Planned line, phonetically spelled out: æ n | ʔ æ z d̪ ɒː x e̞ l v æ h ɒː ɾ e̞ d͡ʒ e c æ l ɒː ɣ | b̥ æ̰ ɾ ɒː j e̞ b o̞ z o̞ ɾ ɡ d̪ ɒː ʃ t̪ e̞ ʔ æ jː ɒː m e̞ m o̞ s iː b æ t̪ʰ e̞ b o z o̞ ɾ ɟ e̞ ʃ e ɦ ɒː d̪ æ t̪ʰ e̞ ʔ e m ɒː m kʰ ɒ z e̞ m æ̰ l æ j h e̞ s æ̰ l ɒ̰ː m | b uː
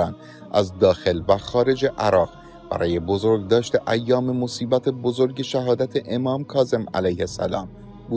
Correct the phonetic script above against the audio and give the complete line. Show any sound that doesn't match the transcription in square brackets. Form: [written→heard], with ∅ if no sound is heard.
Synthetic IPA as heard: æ n | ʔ æ z d̪ ɒː x e̞ l v æ [h→x] ɒː ɾ e̞ d͡ʒ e [c→ʔ] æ [l→ɾ] ɒː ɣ | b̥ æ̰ ɾ ɒː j e̞ b o̞ z o̞ ɾ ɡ d̪ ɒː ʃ t̪ e̞ ʔ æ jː ɒː m e̞ m o̞ s iː b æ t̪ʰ e̞ b o z o̞ ɾ ɟ e̞ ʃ [e→æ] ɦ ɒː d̪ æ t̪ʰ e̞ ʔ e m ɒː m kʰ [ɒ→ɒː] z e̞ m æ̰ l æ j h e̞ s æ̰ l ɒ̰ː m | b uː

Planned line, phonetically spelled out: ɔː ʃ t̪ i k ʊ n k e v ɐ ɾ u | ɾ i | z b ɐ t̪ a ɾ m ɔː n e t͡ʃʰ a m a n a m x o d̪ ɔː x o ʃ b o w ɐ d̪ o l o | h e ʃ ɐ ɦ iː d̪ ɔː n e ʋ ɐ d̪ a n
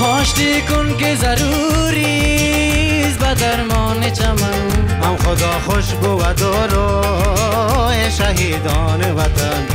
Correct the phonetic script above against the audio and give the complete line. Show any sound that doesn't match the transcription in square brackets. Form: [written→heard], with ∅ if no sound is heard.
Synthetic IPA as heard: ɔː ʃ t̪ i k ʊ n k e [v→z] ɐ ɾ u | ɾ i | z b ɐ [t̪→d̪] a ɾ m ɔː n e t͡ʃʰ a m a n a m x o d̪ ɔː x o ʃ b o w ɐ d̪ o [l→ɾ] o | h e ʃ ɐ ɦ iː d̪ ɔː n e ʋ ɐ [d̪→t̪] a n

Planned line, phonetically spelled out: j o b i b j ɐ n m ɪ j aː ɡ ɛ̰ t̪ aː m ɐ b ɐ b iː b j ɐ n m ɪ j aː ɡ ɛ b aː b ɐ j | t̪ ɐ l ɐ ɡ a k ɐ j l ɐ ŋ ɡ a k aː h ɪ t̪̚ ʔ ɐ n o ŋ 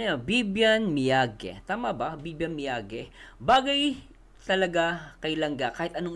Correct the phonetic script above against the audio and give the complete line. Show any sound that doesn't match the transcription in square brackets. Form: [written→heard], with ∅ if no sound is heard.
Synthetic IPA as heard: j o b i b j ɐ n m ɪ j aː ɡ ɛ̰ t̪ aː m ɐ b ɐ b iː b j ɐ n m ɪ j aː ɡ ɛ b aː [b→ɡ] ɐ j | t̪ ɐ l ɐ ɡ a k ɐ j l ɐ ŋ ɡ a k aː h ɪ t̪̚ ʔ ɐ n o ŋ

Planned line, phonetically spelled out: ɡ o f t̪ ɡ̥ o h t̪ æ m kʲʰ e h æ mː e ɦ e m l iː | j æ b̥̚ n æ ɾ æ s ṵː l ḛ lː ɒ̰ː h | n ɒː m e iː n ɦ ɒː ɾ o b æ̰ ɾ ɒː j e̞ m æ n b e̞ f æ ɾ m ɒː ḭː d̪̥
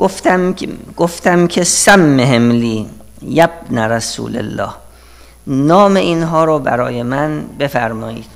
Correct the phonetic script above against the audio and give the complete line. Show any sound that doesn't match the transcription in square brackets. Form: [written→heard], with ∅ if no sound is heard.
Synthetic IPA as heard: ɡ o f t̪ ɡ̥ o [h→f] t̪ æ m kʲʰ e [h→s] æ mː e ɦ e m l iː | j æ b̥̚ n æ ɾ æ s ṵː l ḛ lː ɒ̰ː h | n ɒː m e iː n ɦ ɒː ɾ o b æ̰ ɾ ɒː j e̞ m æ n b e̞ f æ ɾ m ɒː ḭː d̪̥

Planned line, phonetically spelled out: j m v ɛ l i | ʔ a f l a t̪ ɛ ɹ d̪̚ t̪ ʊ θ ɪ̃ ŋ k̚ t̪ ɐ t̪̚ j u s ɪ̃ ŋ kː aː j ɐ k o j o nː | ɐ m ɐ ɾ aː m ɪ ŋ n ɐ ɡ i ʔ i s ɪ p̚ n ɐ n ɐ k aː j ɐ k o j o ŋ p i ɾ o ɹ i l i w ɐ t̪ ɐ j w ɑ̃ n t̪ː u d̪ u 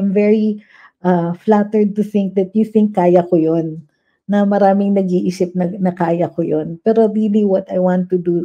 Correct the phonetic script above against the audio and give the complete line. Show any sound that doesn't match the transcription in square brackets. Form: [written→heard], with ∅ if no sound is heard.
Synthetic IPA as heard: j m v ɛ [l→ɹ] i | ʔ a f l a t̪ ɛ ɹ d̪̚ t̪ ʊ θ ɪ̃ ŋ k̚ [t̪→d̪] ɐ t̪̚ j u [s→θ] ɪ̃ ŋ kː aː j ɐ k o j o nː | ɐ m ɐ ɾ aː m ɪ ŋ n ɐ ɡ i ʔ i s ɪ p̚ n ɐ n ɐ k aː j ɐ k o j o [ŋ→n] p [i→ɛ] ɾ o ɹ i l i w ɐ t̪ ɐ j w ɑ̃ n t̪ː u d̪ u

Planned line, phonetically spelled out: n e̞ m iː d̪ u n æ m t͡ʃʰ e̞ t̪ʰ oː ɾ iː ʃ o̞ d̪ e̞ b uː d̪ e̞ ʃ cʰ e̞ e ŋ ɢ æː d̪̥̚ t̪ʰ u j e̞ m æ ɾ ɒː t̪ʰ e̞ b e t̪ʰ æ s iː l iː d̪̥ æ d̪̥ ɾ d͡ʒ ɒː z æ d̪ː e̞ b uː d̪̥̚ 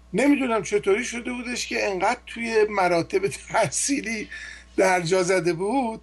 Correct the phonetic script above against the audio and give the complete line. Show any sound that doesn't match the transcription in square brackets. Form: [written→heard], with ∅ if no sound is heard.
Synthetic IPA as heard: n e̞ m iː d̪ u n æ m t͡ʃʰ e̞ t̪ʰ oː ɾ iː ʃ o̞ d̪ e̞ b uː d̪ e̞ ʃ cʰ e̞ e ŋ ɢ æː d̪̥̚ t̪ʰ u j e̞ m æ ɾ ɒː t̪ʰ e̞ b e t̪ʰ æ s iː l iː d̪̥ æ [d̪̥→∅] ɾ d͡ʒ ɒː z æ [d̪ː→d̪] e̞ b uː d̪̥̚

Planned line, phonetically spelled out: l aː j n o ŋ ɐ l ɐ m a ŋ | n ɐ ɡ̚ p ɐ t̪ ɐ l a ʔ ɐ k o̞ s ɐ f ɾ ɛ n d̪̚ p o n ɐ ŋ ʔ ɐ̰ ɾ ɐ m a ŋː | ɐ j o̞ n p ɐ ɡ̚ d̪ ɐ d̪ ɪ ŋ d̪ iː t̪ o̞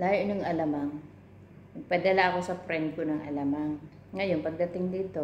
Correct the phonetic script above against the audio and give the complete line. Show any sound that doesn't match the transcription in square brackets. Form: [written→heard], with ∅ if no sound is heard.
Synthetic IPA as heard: l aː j n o ŋ ɐ l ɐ m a ŋ | n ɐ ɡ̚ p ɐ [t̪→d̪] ɐ l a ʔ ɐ k o̞ s ɐ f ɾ ɛ n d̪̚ [p→k] o n ɐ ŋ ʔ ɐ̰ [ɾ→l] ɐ m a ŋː | ɐ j o̞ n p ɐ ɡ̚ d̪ ɐ [d̪→t̪] ɪ ŋ d̪ iː t̪ o̞

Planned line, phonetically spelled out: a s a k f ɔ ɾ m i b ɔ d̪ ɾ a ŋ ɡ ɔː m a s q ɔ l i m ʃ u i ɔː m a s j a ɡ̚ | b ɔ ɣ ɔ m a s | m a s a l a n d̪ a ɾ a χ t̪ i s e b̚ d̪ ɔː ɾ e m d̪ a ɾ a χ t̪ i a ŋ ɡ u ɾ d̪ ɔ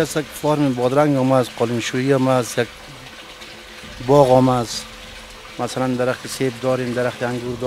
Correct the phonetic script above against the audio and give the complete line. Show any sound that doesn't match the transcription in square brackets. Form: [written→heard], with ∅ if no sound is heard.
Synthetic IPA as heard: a s a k f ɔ ɾ m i b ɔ d̪ ɾ a ŋ ɡ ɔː m a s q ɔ l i m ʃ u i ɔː m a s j a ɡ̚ | b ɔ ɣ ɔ m a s | m a s a l a n d̪ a ɾ a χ t̪ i s e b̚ d̪ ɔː ɾ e m d̪ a ɾ a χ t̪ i a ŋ ɡ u ɾ d̪ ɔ

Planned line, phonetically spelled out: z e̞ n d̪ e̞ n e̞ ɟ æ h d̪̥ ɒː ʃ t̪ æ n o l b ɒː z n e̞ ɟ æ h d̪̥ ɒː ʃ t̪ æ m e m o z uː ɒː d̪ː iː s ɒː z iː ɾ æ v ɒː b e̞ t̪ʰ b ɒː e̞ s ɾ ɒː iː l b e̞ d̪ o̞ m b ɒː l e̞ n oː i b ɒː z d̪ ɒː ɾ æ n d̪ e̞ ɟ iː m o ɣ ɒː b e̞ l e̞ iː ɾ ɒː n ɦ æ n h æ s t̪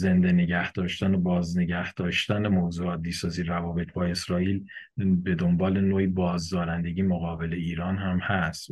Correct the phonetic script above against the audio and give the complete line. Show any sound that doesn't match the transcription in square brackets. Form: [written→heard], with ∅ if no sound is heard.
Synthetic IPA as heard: z e̞ n d̪ e̞ n e̞ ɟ æ h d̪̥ ɒː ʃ t̪ æ n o [l→∅] b ɒː z n e̞ ɟ æ h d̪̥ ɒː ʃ t̪ æ [m→n] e m o z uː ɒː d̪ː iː s ɒː z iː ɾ æ v ɒː b e̞ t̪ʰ b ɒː e̞ s ɾ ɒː iː l b e̞ d̪ o̞ m b ɒː l e̞ n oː i b ɒː z d̪ ɒː ɾ æ n d̪ e̞ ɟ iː m o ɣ ɒː b e̞ l e̞ iː ɾ ɒː n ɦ æ [n→m] h æ s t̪

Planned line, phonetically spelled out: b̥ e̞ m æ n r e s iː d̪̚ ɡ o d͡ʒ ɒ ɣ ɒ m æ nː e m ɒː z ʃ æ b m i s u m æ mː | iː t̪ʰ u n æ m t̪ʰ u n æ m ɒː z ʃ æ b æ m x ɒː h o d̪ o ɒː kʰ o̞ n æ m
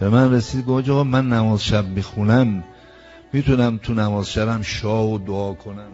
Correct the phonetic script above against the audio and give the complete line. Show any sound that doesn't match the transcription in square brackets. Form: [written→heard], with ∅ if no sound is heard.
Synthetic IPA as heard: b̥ e̞ m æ n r e s iː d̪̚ ɡ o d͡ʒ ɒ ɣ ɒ m æ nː [e→æ] m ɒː z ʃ æ b m i [s→x] u [m→n] æ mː | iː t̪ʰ u n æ m t̪ʰ u n æ m ɒː z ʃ æ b æ m [x→ʃ] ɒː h o d̪ o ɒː kʰ o̞ n æ m

